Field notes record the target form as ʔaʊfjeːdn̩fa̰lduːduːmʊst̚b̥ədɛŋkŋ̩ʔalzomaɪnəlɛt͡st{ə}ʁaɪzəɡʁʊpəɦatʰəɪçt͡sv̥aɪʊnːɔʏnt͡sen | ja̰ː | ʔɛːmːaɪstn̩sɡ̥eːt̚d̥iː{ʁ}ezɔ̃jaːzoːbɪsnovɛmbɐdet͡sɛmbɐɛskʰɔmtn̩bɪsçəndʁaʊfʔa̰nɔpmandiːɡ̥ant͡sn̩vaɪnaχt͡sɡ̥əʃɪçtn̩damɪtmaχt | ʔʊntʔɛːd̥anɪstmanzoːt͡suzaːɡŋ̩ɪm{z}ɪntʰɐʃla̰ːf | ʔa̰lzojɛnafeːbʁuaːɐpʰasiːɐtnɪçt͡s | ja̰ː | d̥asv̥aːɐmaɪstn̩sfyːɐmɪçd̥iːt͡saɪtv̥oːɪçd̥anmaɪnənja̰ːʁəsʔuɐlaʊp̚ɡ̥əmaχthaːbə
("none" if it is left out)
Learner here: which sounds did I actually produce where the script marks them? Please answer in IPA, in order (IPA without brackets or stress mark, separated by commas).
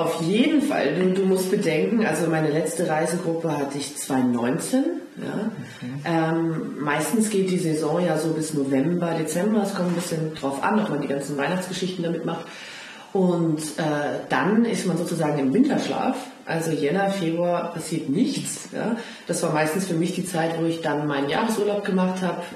ə, z, v